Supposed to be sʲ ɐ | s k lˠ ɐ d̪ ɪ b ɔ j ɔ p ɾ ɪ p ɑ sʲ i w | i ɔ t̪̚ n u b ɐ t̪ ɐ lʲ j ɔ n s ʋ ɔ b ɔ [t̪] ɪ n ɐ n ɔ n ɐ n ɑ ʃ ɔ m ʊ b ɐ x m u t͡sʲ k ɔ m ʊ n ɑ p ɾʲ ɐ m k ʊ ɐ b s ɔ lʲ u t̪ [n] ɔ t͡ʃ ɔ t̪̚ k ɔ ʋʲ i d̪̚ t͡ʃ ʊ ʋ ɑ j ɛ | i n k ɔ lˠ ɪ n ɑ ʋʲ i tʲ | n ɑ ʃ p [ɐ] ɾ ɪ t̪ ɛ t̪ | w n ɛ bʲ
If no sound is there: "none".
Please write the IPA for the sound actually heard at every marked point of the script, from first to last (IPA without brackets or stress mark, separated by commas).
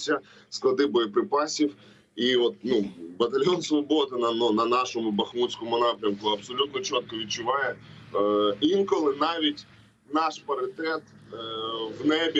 d̪, n, ɐ